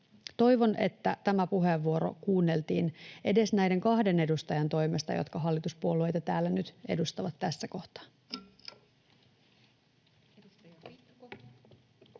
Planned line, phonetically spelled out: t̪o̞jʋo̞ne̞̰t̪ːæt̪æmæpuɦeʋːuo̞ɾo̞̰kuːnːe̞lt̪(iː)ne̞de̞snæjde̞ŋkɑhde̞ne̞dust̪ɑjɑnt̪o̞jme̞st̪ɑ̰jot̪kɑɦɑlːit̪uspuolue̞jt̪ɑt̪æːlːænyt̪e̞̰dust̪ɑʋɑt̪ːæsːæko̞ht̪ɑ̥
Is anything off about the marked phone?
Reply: no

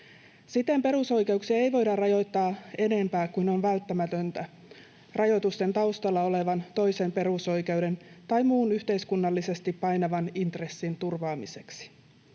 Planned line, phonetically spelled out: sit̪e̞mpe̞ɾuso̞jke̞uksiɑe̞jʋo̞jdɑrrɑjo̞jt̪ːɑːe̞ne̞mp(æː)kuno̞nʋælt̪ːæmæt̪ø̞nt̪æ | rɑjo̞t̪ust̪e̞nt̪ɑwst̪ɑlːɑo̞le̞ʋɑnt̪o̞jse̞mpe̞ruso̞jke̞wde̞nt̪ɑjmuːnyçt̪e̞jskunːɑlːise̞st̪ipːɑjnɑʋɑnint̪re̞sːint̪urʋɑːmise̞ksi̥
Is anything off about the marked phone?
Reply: no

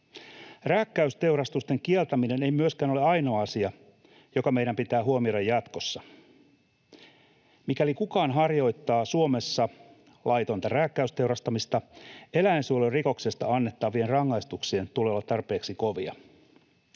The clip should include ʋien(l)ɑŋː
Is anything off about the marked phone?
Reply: yes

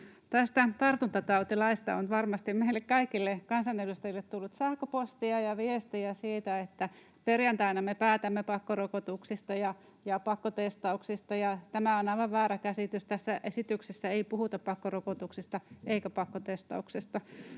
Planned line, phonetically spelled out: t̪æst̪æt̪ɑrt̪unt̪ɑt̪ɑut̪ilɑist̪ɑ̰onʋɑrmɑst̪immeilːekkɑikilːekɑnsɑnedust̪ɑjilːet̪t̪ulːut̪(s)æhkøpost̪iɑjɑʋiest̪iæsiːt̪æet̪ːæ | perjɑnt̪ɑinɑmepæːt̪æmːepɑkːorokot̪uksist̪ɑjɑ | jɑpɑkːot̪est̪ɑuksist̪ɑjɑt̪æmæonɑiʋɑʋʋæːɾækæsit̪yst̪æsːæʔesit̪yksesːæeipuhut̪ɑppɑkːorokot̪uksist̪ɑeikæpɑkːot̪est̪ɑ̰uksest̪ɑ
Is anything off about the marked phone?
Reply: no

